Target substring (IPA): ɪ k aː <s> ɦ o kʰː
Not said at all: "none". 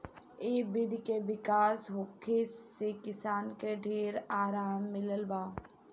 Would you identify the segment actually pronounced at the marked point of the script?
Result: s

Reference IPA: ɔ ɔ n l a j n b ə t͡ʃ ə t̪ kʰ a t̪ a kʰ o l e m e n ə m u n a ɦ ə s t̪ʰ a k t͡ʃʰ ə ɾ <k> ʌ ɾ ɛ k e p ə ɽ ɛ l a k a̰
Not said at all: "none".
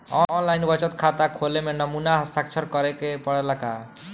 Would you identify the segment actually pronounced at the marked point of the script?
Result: k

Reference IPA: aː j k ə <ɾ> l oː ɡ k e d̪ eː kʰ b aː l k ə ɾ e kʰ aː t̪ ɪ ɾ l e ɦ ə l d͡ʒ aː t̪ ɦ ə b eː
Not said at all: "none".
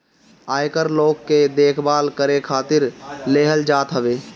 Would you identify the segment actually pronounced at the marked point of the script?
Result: ɾ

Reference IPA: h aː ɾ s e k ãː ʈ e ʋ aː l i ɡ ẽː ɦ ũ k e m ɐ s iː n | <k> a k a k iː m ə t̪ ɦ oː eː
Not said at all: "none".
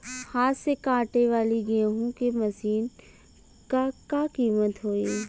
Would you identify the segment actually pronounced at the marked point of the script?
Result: k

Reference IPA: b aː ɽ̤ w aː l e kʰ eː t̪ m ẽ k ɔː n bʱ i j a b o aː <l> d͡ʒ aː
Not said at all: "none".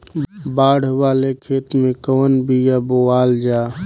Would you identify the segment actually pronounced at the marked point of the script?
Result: l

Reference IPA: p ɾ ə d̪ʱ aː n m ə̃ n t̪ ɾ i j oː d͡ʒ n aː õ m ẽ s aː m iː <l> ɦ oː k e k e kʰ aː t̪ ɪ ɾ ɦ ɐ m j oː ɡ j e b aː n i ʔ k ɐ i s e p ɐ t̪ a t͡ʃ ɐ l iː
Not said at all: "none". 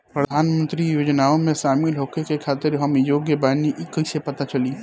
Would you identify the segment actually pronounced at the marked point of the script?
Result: l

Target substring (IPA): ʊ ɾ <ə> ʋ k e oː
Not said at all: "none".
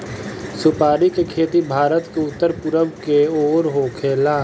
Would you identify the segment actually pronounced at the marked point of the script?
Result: ə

